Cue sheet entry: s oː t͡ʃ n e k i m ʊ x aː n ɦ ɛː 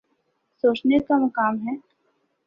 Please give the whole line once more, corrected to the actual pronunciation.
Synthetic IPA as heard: s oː t͡ʃ n e k a m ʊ k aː m ɦ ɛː